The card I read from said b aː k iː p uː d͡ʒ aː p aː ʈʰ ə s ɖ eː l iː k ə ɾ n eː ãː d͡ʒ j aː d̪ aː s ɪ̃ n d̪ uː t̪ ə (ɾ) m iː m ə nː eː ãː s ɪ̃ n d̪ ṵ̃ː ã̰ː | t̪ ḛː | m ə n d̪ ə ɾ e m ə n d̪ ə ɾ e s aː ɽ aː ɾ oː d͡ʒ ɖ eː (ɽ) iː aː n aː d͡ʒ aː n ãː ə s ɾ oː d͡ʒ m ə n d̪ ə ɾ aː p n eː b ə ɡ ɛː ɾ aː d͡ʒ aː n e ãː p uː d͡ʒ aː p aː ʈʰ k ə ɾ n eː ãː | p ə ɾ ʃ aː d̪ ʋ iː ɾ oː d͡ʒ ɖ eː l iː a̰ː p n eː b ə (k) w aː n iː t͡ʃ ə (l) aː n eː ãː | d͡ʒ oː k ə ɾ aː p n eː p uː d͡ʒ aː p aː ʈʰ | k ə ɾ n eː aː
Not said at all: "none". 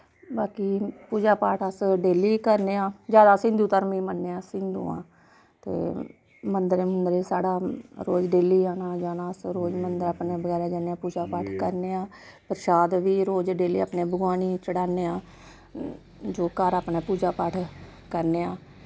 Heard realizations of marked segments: ɾ, l, ɡ, ɽ

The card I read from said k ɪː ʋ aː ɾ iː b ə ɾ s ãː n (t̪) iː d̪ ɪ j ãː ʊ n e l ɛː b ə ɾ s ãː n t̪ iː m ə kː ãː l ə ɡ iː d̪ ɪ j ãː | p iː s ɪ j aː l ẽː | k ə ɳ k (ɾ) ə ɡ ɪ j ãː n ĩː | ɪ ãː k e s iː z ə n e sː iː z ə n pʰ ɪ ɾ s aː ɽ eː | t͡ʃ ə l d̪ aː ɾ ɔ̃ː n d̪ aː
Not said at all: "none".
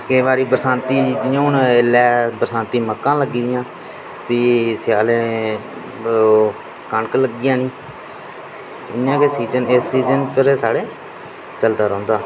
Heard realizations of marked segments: t̪, l

